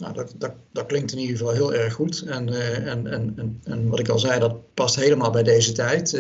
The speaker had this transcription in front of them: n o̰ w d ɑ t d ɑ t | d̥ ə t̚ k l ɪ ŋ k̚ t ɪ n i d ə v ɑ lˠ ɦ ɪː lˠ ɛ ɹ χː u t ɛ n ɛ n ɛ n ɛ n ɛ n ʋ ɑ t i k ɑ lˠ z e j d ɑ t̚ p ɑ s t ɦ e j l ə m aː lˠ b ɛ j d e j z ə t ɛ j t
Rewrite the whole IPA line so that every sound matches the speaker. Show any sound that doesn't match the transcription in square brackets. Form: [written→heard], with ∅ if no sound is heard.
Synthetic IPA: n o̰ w d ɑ t d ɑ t | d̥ [ə→ɑ] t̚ k l ɪ ŋ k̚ t ɪ n i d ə v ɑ lˠ ɦ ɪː lˠ ɛ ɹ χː u t ɛ n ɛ n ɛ n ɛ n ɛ n ʋ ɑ t [i→ɪ] k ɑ lˠ z [e→ɛ] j d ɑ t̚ p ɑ s t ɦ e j l ə m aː lˠ b ɛ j d e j z ə t ɛ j t